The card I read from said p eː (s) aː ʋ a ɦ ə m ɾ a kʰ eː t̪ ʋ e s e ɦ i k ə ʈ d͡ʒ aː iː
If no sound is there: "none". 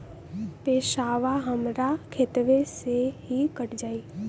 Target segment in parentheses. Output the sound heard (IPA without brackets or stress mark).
ʃ